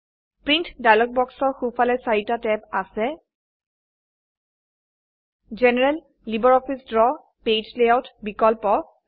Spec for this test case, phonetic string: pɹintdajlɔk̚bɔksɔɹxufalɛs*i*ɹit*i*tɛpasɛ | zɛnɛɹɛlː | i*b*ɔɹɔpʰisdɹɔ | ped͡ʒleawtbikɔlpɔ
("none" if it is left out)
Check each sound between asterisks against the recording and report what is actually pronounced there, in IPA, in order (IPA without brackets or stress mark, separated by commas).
a, a, b